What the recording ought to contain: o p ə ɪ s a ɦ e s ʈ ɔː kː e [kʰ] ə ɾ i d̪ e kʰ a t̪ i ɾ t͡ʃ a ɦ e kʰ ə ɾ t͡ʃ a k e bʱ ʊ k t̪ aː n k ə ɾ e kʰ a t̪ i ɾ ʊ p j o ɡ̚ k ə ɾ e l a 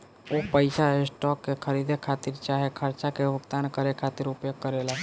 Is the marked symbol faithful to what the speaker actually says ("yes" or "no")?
yes